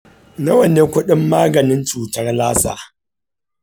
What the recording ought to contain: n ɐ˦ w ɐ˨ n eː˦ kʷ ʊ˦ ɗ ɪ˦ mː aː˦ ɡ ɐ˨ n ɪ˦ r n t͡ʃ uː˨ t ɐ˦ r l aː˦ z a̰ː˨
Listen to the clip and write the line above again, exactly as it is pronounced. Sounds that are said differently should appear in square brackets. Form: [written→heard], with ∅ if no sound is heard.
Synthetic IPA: n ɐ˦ w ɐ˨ n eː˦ kʷ ʊ˦ ɗ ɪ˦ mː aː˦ ɡ ɐ˨ n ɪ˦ [r→∅] n t͡ʃ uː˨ t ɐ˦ r l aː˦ [z→s] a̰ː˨

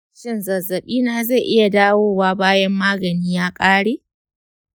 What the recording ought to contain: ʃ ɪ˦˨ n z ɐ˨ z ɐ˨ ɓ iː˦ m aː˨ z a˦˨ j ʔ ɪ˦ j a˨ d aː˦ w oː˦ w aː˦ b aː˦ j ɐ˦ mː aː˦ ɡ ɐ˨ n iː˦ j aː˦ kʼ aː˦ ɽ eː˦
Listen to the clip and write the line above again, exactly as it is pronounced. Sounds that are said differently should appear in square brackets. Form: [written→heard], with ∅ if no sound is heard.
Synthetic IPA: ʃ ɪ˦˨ n z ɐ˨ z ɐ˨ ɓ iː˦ [m→n] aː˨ z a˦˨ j ʔ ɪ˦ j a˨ d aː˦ w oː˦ w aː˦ b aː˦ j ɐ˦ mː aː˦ ɡ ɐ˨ n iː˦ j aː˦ kʼ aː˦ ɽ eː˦

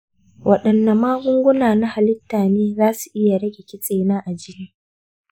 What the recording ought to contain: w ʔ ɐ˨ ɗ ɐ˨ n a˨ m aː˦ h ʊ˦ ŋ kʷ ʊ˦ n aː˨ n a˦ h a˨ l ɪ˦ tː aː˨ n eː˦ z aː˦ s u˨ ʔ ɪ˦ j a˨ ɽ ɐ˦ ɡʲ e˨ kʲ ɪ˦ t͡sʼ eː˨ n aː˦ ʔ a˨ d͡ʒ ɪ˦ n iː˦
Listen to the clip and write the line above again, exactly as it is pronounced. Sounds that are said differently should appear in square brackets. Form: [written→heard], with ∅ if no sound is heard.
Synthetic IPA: w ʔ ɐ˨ ɗ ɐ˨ [n→nː] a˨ m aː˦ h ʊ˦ ŋ [kʷ→ɡʷ] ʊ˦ n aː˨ n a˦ h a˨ l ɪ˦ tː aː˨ n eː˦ z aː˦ s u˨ ʔ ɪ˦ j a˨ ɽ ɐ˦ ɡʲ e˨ kʲ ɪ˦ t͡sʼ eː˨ n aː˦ ʔ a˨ d͡ʒ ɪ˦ n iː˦

